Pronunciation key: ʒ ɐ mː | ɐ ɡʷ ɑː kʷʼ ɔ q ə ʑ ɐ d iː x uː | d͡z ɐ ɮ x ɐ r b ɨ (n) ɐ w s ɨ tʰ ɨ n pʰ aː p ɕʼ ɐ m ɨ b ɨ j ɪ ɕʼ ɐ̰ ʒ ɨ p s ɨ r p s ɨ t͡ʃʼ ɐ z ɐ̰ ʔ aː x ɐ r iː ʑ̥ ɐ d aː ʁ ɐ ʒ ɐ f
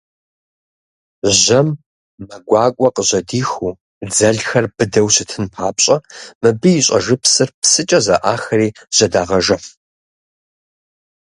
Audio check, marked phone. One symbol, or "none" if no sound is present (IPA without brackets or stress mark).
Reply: d